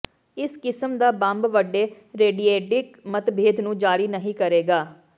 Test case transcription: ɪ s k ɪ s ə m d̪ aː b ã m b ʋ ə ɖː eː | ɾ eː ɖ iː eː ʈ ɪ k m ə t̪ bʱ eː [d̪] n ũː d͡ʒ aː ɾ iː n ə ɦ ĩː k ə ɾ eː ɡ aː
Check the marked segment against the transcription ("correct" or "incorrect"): correct